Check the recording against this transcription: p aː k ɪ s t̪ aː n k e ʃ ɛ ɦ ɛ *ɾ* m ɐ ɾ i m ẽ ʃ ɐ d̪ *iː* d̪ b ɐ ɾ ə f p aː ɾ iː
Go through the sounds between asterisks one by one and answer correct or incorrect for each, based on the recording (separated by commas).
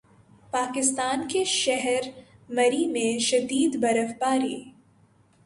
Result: correct, correct